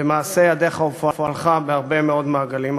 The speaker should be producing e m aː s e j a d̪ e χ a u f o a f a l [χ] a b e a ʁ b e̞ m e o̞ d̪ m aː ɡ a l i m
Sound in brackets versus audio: correct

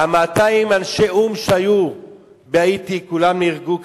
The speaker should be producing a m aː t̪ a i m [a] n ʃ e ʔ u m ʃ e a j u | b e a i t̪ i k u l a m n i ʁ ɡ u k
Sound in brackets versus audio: correct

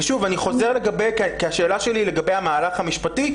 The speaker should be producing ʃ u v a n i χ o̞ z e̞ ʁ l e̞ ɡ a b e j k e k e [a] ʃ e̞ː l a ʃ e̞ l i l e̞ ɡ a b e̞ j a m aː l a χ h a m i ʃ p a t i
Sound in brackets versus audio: correct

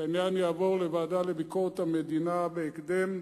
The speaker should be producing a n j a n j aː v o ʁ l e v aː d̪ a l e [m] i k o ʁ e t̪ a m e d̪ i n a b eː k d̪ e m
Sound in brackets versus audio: incorrect: b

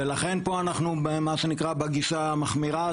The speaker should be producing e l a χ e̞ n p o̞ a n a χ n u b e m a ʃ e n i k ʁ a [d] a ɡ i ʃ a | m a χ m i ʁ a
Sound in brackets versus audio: incorrect: b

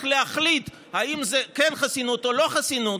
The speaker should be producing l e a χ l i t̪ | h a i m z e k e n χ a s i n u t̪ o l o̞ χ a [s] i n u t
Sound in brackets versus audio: correct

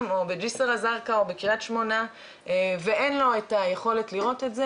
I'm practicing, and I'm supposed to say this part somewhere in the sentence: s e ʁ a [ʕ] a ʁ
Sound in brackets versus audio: incorrect: z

